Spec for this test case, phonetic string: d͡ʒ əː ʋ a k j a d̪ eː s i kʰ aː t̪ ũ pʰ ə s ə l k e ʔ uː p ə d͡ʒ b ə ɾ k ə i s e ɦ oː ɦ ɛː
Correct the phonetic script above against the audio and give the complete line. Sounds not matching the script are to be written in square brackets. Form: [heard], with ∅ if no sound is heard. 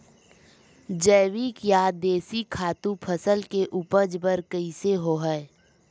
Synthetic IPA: d͡ʒ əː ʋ [i] k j a d̪ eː s i kʰ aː t̪ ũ pʰ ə s ə l k e ʔ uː p ə d͡ʒ b ə ɾ k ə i s e ɦ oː ɦ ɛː